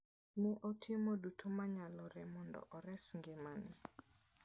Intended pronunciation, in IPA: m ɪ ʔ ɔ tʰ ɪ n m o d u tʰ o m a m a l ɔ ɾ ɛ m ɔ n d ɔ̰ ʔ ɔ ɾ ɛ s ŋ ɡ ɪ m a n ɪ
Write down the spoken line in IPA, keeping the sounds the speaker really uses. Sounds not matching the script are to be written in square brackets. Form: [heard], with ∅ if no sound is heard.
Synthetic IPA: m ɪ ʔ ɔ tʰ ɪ [∅] m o d u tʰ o m a [ɲ] a l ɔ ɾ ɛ m ɔ n d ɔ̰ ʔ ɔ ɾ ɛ s ŋ ɡ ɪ m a n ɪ

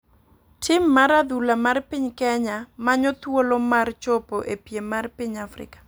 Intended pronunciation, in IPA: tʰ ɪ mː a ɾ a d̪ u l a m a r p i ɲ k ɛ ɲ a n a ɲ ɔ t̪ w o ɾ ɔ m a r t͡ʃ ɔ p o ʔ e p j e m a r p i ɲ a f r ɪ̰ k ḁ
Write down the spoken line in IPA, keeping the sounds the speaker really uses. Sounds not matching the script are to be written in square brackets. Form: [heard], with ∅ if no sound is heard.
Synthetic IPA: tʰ ɪ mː a ɾ a d̪ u l a m a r p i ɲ k ɛ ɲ a [m] a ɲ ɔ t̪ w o [l] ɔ m a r t͡ʃ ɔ p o ʔ e p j e m a r p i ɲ a f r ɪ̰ k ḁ

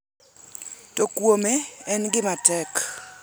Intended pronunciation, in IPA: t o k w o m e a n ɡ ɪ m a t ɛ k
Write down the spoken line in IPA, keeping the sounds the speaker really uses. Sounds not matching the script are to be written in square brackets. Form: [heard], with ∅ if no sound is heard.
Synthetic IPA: t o k w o m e [ɛ] n ɡ ɪ m a t ɛ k

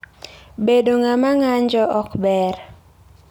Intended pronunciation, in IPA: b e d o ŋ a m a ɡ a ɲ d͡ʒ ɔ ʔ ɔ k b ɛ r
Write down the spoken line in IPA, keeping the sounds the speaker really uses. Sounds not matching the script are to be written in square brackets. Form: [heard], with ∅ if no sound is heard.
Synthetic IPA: b e d o ŋ a m a [ŋ] a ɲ d͡ʒ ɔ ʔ ɔ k b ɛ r

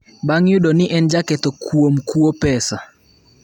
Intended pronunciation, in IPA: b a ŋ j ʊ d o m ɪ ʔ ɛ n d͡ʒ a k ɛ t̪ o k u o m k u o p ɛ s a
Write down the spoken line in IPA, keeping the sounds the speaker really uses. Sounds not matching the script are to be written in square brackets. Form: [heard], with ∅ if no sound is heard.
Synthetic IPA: b a ŋ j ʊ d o [n] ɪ ʔ ɛ n d͡ʒ a k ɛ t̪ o k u o m k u o p ɛ s a

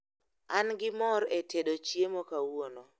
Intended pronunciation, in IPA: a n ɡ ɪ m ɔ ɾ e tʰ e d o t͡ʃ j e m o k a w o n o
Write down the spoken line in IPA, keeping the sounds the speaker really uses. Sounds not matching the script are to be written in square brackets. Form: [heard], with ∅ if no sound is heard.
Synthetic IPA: a n ɡ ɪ m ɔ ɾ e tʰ e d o t͡ʃ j e m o k a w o n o

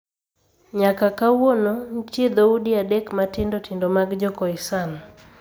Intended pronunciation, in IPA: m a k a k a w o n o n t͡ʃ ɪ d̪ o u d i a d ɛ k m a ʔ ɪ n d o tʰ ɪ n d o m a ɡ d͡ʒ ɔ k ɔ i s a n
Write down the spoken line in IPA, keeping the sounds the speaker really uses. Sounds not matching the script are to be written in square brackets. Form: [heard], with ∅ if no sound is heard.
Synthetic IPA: [ɲ] a k a k a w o n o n t͡ʃ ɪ d̪ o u d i a d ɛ k m a [t] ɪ n d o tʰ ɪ n d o m a ɡ d͡ʒ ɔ k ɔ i s a n

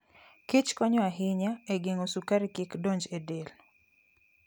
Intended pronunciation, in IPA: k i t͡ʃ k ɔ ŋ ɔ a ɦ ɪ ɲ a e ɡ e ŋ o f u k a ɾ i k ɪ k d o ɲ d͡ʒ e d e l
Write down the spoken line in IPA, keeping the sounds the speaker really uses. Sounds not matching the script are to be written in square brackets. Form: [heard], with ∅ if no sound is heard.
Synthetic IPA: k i t͡ʃ k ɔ [ɲ] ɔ a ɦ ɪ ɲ a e ɡ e ŋ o [s] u k a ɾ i k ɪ k d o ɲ d͡ʒ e d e l

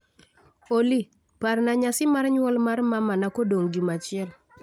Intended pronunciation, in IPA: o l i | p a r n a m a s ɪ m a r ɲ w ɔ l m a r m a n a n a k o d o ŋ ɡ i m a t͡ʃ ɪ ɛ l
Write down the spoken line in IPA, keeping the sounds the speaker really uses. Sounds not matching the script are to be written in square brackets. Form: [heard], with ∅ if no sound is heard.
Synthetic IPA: o l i | p a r n a [ɲ] a s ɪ m a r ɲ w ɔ l m a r m a [m] a n a k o d o ŋ ɡ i m a t͡ʃ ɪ ɛ l

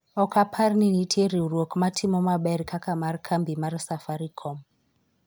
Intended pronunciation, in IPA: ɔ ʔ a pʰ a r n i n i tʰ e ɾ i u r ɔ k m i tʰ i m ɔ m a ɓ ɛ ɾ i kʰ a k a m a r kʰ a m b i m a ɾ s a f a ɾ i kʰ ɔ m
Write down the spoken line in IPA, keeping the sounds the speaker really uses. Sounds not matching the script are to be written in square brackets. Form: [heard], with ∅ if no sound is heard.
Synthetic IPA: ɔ [k] a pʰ a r n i n i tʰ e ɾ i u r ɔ k m [a] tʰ i m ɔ m a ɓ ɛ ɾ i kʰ a k a m a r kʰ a m b i m a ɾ s a f a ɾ i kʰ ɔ m

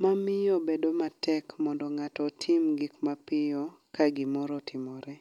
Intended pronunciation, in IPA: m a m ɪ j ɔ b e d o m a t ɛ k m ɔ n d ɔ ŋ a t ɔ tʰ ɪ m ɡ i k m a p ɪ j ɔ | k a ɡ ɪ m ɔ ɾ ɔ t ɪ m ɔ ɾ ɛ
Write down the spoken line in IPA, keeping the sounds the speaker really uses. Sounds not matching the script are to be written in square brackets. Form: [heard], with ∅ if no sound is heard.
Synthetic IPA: m a m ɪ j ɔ b e d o m a t ɛ k m ɔ n d ɔ ŋ a t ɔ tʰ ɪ m ɡ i k m a p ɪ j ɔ | k a ɡ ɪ m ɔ ɾ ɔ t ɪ m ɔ ɾ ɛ

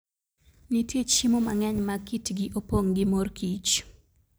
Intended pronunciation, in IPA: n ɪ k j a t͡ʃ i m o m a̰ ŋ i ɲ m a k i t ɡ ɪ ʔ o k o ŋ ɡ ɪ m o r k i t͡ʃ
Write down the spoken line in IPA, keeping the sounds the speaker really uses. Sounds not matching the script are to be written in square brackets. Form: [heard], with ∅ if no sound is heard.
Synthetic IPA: n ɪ [t] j [e] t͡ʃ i m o m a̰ ŋ [ɛ] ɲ m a k i t ɡ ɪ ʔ o [p] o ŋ ɡ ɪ m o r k i t͡ʃ

